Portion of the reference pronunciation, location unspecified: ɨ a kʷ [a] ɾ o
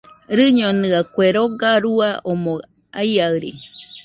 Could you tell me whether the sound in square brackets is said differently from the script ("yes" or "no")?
yes